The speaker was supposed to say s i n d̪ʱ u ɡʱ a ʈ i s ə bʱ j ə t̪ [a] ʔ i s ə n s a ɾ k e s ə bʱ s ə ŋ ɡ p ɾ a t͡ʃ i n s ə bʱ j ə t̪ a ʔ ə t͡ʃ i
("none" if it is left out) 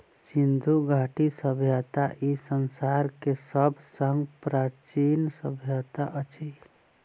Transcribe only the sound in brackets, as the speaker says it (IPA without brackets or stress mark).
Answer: a